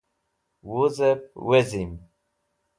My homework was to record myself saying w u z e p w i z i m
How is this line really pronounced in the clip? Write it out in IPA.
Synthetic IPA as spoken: w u z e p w e z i m